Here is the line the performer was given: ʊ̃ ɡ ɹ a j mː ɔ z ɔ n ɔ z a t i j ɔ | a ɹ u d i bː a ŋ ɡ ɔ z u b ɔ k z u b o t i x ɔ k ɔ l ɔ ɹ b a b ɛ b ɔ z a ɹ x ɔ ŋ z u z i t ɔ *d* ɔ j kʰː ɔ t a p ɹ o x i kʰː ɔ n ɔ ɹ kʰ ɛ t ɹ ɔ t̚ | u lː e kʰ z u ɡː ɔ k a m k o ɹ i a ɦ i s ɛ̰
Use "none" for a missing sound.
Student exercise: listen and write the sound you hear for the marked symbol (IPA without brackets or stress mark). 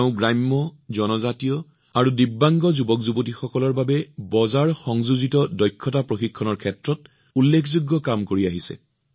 d